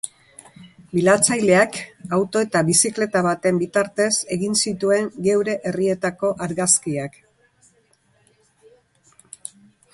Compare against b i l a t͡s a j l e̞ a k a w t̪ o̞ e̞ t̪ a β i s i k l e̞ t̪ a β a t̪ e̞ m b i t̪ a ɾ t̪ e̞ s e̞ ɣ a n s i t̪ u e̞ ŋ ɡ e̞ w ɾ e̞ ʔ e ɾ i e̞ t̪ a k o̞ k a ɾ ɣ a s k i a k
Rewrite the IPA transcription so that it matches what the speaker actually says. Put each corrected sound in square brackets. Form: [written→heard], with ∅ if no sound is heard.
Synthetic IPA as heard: b i l a t͡s a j l e̞ a k a w t̪ o̞ e̞ t̪ a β i s i k l e̞ t̪ a β a t̪ e̞ m b i t̪ a ɾ t̪ e̞ s e̞ ɣ [a→i] n s i t̪ u e̞ ŋ ɡ e̞ w ɾ e̞ ʔ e [ɾ→r] i e̞ t̪ a k o̞ [k→ʔ] a ɾ ɣ a s k i a k